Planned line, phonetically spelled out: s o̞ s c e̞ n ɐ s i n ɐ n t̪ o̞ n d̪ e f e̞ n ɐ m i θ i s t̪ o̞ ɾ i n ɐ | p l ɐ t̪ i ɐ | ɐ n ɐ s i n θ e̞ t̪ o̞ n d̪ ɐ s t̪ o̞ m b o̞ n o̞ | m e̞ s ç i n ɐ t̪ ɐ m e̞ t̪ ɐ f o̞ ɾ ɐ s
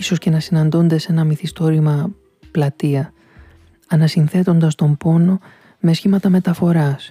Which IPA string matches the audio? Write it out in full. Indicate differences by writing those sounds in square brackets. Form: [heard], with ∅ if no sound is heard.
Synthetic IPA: s o̞ s c e̞ n ɐ s i n ɐ n [d̪] o̞ n d̪ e [s] e̞ n ɐ m i θ i s t̪ o̞ ɾ i [m] ɐ | p l ɐ t̪ i ɐ | ɐ n ɐ s i n θ e̞ t̪ o̞ n d̪ ɐ s t̪ o̞ m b o̞ n o̞ | m e̞ s ç i [m] ɐ t̪ ɐ m e̞ t̪ ɐ f o̞ ɾ ɐ s